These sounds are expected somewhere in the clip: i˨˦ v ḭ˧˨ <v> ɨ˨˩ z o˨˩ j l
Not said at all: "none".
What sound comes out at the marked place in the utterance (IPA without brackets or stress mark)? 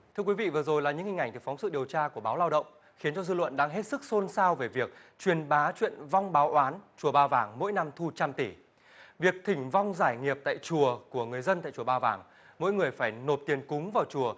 v